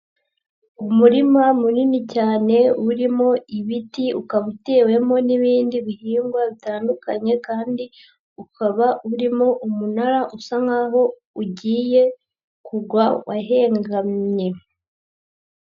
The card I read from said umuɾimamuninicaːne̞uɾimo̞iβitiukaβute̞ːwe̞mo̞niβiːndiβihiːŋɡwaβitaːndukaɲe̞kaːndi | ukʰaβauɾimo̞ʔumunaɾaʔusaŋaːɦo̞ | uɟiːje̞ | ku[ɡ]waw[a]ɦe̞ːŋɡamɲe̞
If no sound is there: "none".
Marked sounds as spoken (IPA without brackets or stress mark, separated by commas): ɡ, a